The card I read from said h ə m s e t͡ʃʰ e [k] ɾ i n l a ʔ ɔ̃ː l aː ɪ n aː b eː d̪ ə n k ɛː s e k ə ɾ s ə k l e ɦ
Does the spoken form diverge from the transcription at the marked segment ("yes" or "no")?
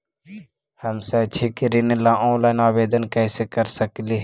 no